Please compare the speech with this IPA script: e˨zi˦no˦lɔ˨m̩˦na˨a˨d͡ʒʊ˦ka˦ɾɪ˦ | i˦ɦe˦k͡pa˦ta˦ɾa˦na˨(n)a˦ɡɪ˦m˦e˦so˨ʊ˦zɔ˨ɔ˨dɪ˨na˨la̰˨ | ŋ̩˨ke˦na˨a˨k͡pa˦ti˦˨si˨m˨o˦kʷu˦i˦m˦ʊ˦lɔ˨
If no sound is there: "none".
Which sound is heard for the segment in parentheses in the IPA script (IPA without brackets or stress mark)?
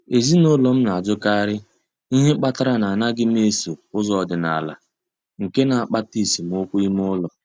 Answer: n